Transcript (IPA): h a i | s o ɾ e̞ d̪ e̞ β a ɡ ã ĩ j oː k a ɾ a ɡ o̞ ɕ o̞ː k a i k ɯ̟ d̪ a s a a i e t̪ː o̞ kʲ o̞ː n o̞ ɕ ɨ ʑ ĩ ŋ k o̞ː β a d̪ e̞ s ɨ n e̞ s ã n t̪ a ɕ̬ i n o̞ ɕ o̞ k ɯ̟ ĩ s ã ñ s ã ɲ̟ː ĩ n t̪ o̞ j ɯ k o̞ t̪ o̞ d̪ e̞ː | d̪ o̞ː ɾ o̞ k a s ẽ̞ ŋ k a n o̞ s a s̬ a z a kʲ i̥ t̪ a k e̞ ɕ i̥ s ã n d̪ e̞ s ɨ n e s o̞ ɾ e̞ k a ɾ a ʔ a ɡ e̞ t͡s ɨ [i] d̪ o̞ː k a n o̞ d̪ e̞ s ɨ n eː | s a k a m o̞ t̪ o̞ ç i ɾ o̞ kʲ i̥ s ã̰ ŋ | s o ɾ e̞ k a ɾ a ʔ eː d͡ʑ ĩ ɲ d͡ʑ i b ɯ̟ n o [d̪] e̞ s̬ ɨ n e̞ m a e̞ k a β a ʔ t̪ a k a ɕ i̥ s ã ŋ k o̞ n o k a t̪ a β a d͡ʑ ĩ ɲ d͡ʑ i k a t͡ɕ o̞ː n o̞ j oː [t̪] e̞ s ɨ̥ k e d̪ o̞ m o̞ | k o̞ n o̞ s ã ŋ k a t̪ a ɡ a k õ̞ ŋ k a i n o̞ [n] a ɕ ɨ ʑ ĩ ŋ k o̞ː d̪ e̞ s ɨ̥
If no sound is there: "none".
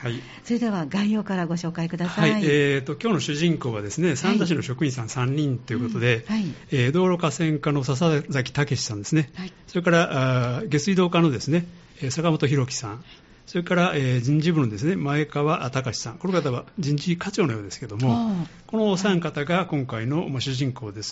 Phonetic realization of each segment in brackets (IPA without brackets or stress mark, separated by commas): i, d̪, d̪, m